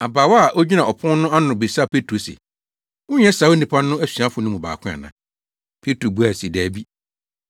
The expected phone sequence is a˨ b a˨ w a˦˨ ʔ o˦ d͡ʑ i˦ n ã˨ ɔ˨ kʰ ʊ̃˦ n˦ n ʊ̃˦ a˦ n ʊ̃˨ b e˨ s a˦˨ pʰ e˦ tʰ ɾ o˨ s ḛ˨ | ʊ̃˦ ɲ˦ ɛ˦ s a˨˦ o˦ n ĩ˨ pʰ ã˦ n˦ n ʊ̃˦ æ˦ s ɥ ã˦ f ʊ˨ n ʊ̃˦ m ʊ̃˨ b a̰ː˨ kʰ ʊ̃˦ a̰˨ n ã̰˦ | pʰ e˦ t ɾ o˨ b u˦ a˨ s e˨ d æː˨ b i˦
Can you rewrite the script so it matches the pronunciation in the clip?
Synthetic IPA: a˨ b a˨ w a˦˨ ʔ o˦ d͡ʑ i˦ n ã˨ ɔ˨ pʰ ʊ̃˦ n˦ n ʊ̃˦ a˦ n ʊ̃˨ b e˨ s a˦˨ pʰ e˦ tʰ ɾ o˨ s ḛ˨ | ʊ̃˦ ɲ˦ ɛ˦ s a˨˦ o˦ n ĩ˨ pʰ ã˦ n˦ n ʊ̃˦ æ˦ s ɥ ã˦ f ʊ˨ n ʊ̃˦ m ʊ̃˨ b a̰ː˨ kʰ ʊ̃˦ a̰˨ n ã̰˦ | pʰ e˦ t ɾ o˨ b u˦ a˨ s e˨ d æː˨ b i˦